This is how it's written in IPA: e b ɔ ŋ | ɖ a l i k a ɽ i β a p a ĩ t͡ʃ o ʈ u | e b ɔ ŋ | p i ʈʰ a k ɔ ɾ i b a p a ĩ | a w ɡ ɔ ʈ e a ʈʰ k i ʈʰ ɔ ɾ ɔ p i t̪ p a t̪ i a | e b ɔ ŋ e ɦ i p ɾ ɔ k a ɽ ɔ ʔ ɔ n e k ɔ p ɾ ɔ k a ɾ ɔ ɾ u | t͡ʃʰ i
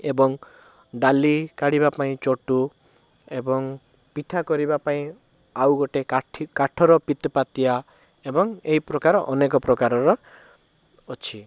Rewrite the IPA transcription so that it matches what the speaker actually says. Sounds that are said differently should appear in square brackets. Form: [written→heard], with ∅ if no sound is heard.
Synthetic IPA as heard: e b ɔ ŋ | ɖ a l i k a ɽ i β a p a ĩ t͡ʃ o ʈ u | e b ɔ ŋ | p i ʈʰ a k ɔ ɾ i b a p a ĩ | a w ɡ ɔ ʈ e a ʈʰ k [i→a] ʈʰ ɔ ɾ ɔ p i t̪ p a t̪ i a | e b ɔ ŋ e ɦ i p ɾ ɔ k a [ɽ→ɾ] ɔ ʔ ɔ n e k ɔ p ɾ ɔ k a ɾ ɔ ɾ [u→ɔ] | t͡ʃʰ i